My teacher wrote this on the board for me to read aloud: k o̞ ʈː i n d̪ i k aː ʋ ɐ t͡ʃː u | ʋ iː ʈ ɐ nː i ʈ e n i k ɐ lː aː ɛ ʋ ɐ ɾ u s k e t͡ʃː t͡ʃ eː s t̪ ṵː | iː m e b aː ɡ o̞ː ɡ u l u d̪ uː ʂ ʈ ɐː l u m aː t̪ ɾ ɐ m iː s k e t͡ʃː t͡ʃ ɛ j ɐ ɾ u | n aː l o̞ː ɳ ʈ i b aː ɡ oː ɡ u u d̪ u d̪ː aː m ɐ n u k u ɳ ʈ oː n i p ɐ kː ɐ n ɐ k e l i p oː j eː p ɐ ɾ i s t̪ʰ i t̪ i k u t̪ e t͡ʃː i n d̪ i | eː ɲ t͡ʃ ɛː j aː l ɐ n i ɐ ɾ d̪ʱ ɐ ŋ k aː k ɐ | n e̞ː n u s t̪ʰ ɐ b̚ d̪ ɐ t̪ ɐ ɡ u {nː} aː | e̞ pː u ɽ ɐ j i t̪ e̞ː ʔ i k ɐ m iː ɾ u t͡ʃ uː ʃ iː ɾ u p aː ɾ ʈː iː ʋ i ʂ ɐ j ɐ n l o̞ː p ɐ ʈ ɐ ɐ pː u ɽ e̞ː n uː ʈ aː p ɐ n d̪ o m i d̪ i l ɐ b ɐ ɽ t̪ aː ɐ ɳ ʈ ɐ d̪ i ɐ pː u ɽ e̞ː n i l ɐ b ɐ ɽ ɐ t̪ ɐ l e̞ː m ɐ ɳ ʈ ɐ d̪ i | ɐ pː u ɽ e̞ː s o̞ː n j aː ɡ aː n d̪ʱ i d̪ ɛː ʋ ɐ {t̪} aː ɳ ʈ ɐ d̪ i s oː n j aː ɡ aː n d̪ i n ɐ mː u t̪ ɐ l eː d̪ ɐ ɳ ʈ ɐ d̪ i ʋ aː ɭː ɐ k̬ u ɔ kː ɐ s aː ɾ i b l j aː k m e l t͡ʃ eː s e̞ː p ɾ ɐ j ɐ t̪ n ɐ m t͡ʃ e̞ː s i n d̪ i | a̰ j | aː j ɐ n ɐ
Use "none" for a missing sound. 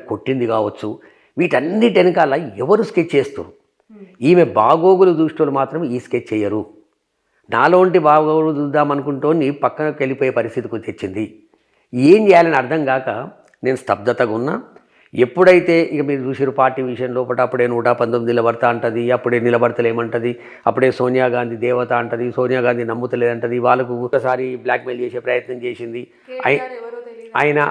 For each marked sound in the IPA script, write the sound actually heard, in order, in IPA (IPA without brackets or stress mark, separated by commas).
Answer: nː, t̪